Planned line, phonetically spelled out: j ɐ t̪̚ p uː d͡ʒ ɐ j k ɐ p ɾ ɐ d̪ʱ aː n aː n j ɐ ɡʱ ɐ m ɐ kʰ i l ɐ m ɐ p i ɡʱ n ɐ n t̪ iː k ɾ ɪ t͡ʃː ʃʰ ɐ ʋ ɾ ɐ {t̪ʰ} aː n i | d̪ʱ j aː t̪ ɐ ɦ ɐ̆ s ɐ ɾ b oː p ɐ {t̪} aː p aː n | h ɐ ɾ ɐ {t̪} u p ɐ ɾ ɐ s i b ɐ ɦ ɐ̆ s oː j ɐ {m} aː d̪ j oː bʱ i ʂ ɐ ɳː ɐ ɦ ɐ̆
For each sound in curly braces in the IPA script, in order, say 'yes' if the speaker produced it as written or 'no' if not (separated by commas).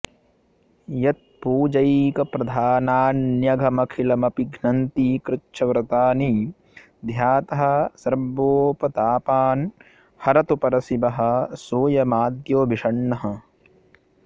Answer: no, yes, yes, yes